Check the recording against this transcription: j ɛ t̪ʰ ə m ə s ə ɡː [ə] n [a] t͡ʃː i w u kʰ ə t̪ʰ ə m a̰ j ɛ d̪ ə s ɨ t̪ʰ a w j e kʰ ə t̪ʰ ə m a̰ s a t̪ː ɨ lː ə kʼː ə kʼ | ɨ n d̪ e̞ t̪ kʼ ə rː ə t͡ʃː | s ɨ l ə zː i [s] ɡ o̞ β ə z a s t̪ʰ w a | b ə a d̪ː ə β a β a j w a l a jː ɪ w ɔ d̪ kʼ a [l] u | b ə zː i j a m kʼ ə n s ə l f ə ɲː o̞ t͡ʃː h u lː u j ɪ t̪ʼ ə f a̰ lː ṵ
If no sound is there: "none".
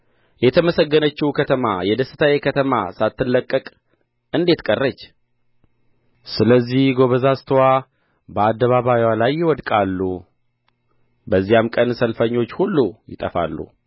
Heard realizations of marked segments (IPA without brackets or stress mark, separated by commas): ə, ə, h, lː